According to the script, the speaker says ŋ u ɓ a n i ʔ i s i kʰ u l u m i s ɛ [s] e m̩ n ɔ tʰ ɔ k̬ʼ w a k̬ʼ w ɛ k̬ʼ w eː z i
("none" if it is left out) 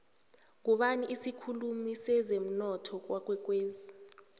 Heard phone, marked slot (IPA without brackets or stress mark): z